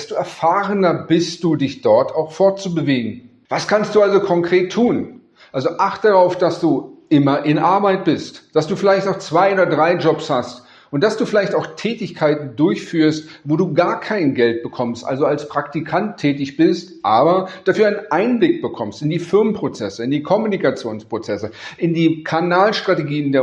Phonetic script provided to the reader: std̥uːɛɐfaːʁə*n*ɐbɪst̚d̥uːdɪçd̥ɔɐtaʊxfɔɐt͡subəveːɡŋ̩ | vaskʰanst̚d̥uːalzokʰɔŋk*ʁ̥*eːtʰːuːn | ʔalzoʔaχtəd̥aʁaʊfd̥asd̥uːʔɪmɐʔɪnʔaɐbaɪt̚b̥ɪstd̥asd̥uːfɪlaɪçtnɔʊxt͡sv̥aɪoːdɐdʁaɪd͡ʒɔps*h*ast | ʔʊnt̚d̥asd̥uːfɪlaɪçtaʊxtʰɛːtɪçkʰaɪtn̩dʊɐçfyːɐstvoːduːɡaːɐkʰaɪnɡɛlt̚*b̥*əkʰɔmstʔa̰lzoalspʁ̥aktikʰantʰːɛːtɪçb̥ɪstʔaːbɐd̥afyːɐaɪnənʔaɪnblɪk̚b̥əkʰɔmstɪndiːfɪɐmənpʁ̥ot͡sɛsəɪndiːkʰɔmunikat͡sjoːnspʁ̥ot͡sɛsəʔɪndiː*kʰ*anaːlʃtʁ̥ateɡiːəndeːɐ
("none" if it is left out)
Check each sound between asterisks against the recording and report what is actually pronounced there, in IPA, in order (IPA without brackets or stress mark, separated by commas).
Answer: n, ʁ̥, h, b̥, kʰ